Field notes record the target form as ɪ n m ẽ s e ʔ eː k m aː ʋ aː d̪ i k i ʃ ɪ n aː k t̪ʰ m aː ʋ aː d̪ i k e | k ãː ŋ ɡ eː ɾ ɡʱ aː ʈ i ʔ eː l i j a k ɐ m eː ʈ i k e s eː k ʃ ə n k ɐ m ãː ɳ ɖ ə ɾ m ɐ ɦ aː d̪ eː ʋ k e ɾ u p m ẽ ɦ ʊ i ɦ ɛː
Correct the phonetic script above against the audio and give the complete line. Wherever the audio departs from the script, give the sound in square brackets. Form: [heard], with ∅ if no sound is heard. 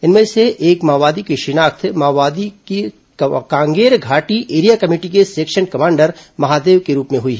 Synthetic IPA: ɪ n m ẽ s e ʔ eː k m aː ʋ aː d̪ i k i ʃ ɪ n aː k t̪ʰ m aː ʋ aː d̪ i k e | k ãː ŋ ɡ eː ɾ ɡʱ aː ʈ i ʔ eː [ɾ] i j a k ɐ m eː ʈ i k e s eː k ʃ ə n k ɐ m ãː ɳ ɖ ə ɾ m ɐ ɦ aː d̪ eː ʋ k e ɾ [uː] p m ẽ ɦ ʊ i ɦ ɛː

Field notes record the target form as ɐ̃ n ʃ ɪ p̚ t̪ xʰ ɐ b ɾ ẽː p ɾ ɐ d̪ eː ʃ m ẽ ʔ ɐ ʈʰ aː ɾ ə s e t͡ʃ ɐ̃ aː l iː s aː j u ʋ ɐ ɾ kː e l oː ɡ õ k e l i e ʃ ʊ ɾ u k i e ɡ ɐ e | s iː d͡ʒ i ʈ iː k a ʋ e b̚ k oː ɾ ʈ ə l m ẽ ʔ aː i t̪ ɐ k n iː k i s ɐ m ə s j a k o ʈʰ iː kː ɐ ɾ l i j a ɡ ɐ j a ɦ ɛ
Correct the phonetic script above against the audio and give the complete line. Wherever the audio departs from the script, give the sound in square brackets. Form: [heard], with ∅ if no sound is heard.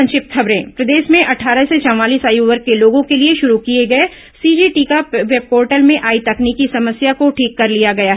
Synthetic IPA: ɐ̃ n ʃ ɪ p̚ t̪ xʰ ɐ b ɾ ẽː p ɾ ɐ d̪ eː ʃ m ẽ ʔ ɐ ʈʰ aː ɾ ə s e t͡ʃ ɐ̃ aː l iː s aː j u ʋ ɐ ɾ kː e l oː ɡ õ k e l i e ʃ ʊ ɾ u k i e ɡ ɐ e | s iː d͡ʒ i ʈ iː k a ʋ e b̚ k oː ɾ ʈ ə l m ẽ ʔ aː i t̪ ɐ k n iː k i s ɐ m ə s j a k o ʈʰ iː kː ɐ ɾ l i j a ɡ ɐ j a ɦ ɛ

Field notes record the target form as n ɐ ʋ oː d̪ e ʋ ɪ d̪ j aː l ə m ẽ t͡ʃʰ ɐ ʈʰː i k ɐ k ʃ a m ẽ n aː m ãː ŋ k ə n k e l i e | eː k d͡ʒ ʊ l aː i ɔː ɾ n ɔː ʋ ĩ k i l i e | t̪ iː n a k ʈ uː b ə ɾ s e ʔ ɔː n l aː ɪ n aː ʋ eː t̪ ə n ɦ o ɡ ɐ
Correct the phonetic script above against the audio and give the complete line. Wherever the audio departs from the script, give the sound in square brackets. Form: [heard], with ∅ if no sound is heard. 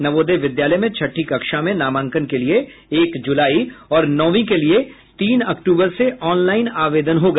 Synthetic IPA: n ɐ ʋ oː d̪ e ʋ ɪ d̪ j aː l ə m ẽ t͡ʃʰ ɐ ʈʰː i k ɐ k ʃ a m ẽ n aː m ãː ŋ k ə n k e l i e | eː k d͡ʒ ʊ l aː i ɔː ɾ n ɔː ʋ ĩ k [e] l i e | t̪ iː n [ɐ] k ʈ uː b ə ɾ s e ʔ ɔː n l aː ɪ n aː ʋ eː [d̪] ə n ɦ o ɡ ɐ

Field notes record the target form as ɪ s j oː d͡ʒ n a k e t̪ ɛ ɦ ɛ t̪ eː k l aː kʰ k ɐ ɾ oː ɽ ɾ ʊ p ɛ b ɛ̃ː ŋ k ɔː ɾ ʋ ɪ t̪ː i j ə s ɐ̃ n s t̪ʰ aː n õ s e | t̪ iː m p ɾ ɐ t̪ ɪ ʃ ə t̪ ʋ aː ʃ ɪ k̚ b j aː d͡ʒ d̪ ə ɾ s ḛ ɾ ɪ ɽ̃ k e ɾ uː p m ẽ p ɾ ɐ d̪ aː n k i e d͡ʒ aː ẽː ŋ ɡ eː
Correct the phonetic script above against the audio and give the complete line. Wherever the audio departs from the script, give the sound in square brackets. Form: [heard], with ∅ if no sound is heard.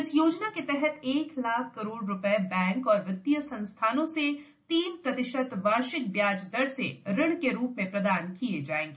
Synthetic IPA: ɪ s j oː d͡ʒ n a k e t̪ ɛ ɦ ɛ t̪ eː k l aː kʰ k ɐ ɾ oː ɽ ɾ ʊ p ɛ b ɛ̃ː ŋ k ɔː ɾ ʋ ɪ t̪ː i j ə s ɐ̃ n s t̪ʰ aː n õ s e | t̪ iː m p ɾ ɐ t̪ ɪ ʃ ə t̪ ʋ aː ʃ ɪ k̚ b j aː d͡ʒ d̪ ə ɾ s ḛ ɾ ɪ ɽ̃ k e ɾ uː p m ẽ p ɾ ɐ d̪ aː n k i e d͡ʒ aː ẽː ŋ ɡ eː

